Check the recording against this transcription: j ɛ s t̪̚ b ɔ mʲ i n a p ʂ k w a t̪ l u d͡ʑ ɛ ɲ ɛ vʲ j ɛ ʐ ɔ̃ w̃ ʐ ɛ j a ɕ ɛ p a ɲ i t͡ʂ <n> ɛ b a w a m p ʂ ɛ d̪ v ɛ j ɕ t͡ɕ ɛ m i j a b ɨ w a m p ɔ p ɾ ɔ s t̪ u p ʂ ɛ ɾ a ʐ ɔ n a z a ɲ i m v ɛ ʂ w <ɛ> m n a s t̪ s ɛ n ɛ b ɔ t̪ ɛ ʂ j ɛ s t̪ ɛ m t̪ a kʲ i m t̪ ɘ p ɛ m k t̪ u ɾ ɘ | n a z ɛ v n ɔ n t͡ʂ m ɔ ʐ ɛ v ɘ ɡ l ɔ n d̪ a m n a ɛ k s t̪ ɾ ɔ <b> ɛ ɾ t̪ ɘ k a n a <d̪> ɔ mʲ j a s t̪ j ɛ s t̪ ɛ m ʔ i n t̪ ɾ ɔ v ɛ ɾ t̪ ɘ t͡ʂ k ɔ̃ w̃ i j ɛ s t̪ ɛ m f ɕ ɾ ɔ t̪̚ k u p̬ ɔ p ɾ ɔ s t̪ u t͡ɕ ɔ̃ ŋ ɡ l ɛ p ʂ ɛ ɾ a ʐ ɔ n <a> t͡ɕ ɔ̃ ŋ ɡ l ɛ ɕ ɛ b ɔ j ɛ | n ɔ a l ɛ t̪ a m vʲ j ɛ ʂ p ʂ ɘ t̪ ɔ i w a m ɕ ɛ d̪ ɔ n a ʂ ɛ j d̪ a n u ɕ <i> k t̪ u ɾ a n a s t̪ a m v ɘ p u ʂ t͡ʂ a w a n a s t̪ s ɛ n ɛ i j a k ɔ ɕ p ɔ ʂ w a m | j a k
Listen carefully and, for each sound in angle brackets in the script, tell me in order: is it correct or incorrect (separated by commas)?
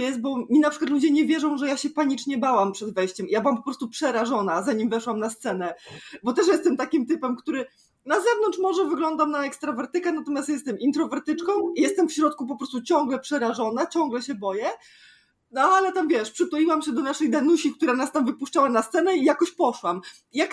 incorrect, incorrect, incorrect, incorrect, correct, correct